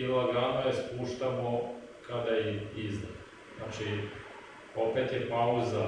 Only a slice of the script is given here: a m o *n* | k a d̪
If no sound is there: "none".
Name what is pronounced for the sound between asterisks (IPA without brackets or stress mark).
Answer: none